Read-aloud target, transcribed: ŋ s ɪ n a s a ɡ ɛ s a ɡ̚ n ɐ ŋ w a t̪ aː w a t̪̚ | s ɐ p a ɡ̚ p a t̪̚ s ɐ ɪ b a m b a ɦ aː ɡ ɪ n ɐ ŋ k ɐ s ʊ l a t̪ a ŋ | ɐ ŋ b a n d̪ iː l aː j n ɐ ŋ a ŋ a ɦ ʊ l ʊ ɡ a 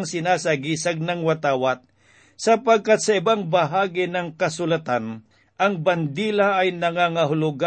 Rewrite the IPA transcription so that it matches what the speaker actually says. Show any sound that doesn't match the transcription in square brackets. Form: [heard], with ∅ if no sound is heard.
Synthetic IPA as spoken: ŋ s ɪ n a s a ɡ [i] s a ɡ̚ n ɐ ŋ w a t̪ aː w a t̪̚ | s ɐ p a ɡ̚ [k] a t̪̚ s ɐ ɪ b a [ŋ] b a ɦ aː ɡ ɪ n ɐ ŋ k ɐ s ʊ l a t̪ a [n] | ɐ ŋ b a n d̪ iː l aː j n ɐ ŋ a ŋ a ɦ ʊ l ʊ ɡ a